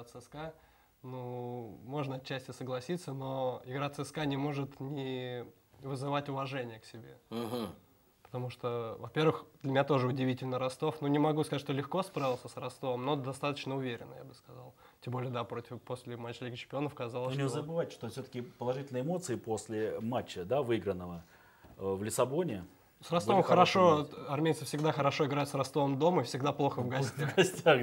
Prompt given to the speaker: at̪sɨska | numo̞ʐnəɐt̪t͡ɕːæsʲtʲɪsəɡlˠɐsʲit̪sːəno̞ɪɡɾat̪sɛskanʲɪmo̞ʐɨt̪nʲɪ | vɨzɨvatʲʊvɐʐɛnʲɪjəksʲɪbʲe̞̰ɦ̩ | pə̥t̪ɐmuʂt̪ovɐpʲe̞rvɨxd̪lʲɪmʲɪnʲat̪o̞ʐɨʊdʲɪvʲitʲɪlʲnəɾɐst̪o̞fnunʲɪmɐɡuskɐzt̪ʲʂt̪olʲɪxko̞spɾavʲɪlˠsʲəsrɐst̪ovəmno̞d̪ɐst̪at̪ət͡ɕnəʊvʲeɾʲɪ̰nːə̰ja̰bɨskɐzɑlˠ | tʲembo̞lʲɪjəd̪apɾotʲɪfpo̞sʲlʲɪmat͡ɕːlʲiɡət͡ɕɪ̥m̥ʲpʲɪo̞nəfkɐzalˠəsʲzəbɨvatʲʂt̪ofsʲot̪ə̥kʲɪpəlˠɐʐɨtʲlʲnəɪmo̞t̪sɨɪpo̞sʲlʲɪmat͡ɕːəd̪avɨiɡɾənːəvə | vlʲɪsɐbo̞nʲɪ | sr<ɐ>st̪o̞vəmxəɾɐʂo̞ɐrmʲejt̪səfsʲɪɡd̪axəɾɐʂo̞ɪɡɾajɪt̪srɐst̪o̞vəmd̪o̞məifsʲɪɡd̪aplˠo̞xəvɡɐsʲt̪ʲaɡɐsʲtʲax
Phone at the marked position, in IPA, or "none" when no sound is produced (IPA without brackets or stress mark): ɐ